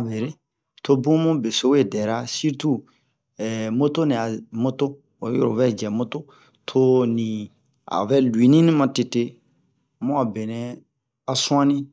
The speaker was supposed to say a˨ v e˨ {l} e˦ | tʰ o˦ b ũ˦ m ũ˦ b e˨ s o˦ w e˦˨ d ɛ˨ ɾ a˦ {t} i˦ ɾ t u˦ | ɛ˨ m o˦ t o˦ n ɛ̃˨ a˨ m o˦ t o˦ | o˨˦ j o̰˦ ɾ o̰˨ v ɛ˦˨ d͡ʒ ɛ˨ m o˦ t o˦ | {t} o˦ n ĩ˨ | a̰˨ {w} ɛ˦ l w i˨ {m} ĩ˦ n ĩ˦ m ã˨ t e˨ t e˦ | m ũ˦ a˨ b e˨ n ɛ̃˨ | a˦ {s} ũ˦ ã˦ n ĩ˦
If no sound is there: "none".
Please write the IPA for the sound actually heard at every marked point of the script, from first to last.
ɾ, s, tʰ, v, n, s

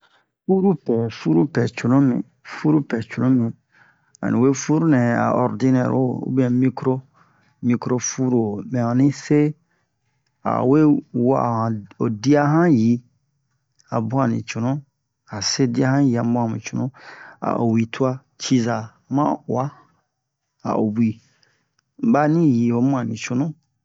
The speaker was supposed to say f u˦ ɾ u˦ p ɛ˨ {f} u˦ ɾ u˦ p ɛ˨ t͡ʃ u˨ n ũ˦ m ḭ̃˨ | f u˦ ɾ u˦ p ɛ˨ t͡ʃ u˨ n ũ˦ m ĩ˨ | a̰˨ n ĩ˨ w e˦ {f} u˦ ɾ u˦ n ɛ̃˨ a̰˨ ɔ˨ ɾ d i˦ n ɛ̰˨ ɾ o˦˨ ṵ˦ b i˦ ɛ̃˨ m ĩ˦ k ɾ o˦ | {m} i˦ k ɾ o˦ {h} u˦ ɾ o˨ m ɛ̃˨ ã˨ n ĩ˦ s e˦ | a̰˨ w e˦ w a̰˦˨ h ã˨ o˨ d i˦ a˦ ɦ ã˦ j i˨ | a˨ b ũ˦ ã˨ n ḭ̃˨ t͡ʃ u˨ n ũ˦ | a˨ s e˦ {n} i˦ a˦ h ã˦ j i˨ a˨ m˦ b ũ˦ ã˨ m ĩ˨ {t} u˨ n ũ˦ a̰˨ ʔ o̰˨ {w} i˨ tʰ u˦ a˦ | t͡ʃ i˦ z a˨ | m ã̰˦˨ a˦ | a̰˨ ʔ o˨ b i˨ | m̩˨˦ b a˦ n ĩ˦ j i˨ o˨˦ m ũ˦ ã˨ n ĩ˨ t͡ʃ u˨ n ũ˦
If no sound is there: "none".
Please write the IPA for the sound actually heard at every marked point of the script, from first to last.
f, f, m, f, d, t͡ʃ, w

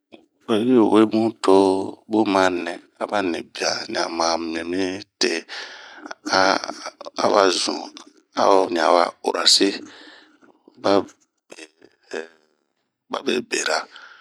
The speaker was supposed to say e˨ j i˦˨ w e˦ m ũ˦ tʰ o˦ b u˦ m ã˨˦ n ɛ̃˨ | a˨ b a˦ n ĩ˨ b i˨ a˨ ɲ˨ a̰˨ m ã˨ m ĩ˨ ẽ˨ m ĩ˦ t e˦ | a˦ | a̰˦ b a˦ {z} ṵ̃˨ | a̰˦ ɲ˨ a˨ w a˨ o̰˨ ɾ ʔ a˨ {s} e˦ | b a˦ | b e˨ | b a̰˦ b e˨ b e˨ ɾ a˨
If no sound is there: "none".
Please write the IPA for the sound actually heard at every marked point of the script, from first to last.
z, s

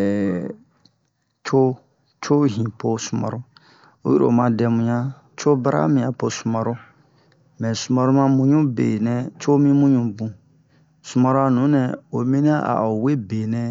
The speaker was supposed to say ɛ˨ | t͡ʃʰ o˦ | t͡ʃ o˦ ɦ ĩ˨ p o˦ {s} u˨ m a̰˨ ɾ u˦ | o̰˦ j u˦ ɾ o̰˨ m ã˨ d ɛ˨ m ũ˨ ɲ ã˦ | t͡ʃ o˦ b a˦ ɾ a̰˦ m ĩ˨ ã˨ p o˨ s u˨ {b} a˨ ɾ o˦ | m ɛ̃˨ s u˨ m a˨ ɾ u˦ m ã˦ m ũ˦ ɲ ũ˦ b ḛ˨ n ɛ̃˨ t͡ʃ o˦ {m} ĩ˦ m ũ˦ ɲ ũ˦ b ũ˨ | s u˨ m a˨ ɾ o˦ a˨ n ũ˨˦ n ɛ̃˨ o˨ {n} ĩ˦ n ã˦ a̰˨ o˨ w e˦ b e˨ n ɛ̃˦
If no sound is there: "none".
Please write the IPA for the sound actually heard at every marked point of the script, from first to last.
s, m, m, m

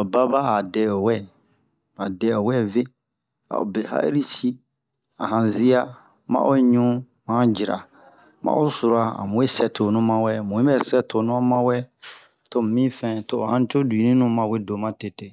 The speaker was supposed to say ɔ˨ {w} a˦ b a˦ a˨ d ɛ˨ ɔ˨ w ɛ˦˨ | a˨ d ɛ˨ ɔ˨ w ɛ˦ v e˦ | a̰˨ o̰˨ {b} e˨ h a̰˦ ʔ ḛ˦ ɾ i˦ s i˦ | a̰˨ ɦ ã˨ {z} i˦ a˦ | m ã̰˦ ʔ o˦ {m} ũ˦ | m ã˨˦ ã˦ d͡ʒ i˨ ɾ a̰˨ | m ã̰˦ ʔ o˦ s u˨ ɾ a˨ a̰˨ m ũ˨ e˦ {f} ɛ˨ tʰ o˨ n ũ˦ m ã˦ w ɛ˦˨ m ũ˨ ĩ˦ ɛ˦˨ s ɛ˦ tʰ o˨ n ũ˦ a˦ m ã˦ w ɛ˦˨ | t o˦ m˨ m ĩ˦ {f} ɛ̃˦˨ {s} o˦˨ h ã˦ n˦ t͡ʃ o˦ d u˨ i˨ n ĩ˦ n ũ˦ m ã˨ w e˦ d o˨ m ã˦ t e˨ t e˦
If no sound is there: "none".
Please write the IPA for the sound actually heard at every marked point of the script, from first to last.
b, b, z, ɲ, s, f, t

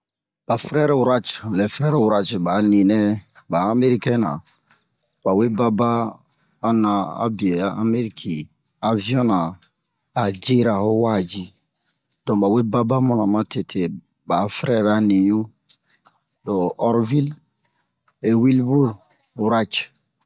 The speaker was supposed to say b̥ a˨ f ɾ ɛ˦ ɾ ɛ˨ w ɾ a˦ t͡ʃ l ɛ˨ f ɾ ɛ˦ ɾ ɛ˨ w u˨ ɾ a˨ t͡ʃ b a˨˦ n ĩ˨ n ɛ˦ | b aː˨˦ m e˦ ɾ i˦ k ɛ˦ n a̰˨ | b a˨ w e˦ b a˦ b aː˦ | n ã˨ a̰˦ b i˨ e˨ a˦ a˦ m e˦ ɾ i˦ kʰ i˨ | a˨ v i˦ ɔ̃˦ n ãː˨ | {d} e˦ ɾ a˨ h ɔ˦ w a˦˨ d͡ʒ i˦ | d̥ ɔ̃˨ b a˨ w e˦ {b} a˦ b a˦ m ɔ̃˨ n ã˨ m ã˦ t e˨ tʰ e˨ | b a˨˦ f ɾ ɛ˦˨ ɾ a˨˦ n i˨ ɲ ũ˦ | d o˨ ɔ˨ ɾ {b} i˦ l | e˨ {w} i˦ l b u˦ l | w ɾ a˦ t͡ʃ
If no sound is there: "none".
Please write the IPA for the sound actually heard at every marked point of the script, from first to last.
d͡ʒ, b, v, w

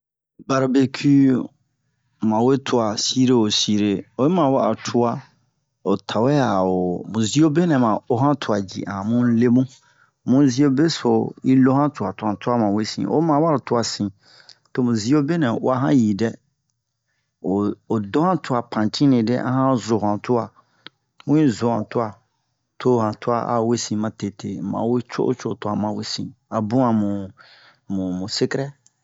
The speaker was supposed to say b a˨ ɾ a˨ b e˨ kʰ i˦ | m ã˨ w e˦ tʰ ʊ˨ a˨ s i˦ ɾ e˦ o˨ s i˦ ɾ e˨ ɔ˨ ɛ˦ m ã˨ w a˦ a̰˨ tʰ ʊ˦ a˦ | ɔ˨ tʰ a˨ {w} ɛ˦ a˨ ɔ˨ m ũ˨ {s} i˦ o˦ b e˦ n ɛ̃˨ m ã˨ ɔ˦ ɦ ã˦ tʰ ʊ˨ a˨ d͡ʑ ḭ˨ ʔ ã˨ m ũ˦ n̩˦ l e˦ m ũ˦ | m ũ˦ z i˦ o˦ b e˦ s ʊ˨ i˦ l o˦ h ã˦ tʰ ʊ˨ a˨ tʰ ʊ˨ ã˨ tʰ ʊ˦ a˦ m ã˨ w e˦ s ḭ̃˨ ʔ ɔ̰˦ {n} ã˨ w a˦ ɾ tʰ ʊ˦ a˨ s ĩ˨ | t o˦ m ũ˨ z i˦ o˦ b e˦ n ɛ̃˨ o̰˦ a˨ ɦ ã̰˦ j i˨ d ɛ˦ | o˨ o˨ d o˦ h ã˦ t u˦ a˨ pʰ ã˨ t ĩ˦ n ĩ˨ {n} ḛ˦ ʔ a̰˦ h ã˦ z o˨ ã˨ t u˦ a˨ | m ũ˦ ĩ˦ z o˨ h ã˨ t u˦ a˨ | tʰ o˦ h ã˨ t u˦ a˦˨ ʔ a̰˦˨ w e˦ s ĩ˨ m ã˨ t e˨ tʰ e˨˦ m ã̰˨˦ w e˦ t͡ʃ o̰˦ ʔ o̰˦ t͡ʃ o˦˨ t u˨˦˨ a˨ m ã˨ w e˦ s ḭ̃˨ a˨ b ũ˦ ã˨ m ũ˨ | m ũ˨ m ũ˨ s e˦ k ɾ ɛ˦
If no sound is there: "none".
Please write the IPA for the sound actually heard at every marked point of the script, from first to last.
w, z, m, d

